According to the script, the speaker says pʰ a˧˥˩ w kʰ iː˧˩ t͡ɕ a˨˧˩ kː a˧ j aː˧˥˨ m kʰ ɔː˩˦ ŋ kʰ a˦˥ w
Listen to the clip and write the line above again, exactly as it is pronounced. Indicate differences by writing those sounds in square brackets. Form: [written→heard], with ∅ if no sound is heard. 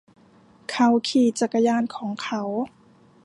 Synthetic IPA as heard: [pʰ→kʰ] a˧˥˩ w kʰ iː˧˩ t͡ɕ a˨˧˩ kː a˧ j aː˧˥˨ [m→n] kʰ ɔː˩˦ ŋ kʰ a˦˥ w

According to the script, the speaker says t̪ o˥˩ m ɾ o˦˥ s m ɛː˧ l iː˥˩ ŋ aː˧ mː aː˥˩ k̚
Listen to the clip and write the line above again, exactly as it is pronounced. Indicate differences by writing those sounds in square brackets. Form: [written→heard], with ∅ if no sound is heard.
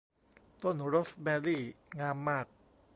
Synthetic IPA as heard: t̪ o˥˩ [m→n] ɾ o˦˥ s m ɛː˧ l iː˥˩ ŋ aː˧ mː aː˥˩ k̚

